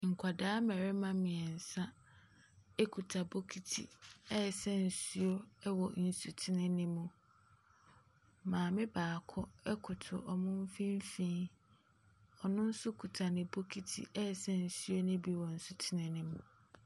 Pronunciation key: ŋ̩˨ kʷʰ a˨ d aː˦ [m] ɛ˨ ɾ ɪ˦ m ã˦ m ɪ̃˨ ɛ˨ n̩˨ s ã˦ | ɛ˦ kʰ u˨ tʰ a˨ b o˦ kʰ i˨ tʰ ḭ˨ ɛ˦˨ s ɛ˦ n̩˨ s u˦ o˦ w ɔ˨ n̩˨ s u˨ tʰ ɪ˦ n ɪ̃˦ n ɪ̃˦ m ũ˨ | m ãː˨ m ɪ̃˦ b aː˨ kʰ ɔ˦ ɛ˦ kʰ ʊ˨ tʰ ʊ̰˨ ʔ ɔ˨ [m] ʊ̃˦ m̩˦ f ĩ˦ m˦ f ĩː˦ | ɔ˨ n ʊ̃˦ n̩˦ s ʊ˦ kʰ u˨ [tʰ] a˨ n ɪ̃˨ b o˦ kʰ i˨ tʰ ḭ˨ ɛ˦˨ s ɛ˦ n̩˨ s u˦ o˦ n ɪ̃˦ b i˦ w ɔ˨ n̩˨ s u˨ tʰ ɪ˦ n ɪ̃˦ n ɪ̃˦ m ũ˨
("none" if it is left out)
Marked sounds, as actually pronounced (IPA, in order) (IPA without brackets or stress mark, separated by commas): m, m, tʰ